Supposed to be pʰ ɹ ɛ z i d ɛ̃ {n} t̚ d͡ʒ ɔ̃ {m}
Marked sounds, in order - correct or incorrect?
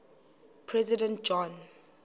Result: correct, incorrect

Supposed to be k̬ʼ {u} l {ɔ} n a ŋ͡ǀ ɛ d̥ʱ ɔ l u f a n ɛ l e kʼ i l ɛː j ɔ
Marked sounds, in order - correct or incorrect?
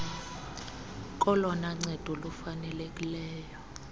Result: incorrect, correct

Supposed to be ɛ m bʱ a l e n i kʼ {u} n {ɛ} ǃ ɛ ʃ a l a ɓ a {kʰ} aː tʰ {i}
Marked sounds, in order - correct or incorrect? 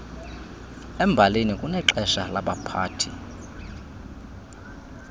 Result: correct, correct, incorrect, correct

